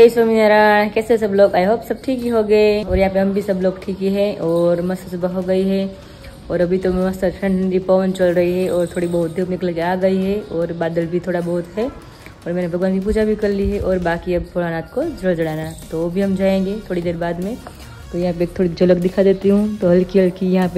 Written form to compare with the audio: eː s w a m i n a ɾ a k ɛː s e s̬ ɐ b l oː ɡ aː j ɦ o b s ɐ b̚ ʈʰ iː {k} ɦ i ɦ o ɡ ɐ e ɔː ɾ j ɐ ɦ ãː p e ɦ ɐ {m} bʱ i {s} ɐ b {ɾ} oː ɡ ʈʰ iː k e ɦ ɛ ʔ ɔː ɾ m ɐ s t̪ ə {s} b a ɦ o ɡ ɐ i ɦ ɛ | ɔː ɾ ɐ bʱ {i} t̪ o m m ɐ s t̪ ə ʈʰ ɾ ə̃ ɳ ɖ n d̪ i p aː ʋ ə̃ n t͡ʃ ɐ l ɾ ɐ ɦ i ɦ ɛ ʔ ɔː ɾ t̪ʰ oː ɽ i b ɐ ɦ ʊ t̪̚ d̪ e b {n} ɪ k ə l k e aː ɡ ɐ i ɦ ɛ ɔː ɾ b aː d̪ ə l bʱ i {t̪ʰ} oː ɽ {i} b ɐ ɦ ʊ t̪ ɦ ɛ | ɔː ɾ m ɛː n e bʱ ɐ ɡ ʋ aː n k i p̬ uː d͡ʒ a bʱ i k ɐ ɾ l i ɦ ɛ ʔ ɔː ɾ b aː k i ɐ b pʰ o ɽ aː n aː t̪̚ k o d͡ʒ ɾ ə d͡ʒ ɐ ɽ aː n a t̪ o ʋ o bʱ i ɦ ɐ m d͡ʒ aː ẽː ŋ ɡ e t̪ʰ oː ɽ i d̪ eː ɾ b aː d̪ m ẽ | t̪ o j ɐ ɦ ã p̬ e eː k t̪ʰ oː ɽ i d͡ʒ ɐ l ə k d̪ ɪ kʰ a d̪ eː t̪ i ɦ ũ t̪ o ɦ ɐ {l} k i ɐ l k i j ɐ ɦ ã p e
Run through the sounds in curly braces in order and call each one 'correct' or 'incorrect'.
correct, correct, correct, incorrect: l, correct, correct, correct, correct, incorrect: a, correct

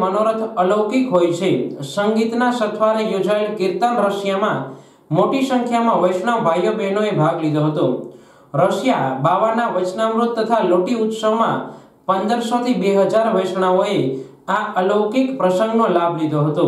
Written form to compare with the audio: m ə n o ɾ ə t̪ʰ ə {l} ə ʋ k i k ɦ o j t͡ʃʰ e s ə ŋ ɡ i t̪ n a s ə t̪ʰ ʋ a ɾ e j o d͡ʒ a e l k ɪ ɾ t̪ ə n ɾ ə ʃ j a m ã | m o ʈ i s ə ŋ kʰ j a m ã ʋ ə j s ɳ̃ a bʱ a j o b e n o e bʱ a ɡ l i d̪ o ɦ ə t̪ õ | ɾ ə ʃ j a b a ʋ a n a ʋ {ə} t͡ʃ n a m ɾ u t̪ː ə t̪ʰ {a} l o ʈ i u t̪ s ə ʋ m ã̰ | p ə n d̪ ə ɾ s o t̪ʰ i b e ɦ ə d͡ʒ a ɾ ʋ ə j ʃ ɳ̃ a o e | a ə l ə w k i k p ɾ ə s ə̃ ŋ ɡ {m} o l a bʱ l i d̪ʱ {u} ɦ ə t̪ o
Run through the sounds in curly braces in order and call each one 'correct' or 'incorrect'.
correct, correct, correct, incorrect: n, incorrect: o

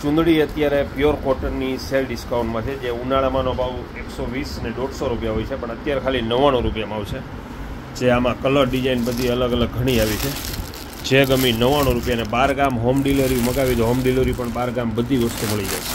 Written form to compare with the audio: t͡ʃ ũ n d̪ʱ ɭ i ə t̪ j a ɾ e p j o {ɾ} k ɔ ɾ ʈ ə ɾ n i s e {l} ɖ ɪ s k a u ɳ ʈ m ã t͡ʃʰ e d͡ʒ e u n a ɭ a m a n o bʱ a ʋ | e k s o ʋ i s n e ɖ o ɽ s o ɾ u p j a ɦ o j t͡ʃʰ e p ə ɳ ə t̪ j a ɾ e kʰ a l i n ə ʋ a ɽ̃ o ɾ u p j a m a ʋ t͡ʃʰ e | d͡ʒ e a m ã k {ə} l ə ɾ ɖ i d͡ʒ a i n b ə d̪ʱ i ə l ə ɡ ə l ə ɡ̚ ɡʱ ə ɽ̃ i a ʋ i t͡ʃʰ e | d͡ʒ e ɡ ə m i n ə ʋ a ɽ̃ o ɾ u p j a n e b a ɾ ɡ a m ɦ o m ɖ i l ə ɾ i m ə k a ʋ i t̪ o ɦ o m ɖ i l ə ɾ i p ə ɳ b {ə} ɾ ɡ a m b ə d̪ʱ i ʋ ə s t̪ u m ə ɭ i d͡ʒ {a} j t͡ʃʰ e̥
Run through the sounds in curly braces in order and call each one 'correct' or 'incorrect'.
correct, correct, correct, incorrect: a, correct

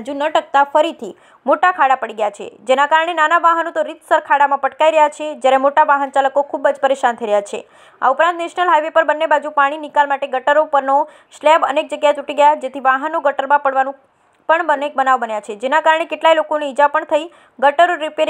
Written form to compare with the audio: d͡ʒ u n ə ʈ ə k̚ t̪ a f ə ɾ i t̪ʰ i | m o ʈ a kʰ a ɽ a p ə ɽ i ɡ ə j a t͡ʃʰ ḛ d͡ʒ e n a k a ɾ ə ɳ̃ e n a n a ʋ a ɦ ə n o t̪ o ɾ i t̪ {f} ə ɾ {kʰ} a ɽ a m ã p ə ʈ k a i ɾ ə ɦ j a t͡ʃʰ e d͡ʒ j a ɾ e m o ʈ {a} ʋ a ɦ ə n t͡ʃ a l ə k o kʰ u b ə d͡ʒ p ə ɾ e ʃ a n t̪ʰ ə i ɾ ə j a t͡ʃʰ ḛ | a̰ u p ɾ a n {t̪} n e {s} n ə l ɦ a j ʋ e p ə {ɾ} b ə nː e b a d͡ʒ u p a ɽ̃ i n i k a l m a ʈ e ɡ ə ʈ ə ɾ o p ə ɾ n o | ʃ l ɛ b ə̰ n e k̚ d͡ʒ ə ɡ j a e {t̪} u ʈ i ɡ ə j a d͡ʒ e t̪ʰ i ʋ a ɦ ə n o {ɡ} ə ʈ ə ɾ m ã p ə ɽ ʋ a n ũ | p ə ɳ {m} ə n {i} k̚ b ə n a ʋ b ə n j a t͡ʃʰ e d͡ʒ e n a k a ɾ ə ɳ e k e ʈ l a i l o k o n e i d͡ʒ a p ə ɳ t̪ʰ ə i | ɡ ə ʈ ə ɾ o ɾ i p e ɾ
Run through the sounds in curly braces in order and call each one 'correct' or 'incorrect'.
incorrect: s, correct, correct, correct, incorrect: ʃ, correct, correct, correct, incorrect: b, incorrect: e

